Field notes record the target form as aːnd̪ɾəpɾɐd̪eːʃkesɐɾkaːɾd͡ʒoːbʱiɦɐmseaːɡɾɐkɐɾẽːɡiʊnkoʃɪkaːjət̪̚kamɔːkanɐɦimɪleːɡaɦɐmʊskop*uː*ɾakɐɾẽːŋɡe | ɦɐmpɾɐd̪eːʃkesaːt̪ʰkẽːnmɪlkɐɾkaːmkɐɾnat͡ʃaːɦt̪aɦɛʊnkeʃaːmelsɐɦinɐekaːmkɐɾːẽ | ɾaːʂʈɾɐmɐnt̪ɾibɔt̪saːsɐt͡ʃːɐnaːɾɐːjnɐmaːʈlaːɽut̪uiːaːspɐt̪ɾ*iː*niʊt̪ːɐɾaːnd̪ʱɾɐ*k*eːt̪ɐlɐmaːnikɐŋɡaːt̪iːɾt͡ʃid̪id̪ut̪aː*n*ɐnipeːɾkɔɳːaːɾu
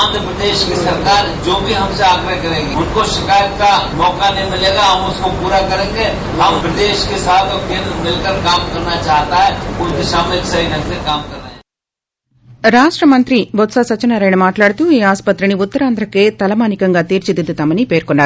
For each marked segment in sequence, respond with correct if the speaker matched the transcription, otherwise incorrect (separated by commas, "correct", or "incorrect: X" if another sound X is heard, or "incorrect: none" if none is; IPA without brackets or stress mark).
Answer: correct, incorrect: i, correct, incorrect: m